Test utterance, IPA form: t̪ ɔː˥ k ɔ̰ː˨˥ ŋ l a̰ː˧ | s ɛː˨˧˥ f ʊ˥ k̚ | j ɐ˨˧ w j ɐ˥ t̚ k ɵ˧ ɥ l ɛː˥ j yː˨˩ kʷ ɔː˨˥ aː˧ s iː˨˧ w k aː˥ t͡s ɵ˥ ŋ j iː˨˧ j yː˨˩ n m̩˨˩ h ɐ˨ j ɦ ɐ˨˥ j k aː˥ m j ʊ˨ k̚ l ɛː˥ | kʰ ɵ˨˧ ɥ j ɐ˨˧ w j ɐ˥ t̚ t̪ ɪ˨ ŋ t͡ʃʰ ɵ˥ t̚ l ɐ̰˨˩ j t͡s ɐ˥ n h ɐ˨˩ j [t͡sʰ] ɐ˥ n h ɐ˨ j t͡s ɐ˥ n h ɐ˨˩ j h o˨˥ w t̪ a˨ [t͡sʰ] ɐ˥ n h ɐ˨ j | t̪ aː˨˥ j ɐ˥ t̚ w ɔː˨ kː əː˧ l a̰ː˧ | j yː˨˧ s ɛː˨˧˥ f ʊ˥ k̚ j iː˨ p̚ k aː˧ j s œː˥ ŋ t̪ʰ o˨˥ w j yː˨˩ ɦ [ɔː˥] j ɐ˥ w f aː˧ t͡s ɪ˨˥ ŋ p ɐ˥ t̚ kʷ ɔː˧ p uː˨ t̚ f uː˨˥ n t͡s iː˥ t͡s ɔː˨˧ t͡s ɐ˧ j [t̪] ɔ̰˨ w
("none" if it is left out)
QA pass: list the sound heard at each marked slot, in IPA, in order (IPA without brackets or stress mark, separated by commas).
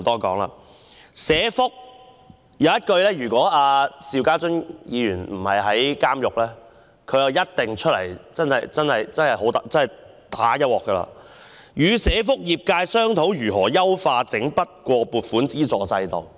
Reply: t͡s, t͡s, ɔː˨˩, t̪